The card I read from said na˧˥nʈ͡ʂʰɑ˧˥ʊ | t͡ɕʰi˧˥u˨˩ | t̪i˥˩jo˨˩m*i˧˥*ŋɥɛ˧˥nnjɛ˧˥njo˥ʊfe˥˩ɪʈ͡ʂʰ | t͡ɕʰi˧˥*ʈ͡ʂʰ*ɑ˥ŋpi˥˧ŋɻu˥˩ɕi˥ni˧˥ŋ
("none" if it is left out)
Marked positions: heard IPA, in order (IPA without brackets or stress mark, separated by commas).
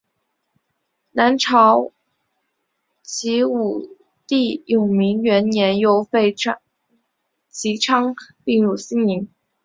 i˧˥, ʈ͡ʂʰ